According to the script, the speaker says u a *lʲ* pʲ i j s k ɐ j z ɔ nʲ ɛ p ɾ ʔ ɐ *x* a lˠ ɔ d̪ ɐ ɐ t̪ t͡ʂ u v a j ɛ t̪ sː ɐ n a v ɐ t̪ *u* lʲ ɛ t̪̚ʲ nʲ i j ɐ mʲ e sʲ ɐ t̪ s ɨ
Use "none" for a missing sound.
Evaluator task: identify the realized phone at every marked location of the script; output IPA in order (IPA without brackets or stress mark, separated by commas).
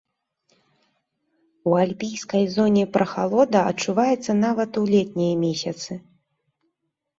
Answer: lʲ, x, u